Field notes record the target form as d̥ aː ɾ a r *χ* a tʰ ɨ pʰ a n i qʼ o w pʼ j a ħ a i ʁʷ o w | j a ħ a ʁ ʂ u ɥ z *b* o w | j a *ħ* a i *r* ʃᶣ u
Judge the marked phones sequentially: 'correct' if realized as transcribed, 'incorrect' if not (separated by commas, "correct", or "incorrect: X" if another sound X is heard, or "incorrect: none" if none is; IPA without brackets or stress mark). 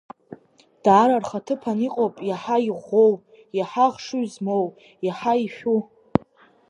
correct, incorrect: m, correct, incorrect: none